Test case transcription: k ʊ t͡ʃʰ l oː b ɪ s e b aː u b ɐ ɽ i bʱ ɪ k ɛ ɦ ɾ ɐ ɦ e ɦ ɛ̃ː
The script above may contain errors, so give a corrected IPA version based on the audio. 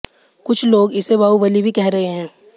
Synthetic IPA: k ʊ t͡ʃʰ l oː ɡ ɪ s e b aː u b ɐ l i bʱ i k ɛ ɦ ɾ ɐ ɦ e ɦ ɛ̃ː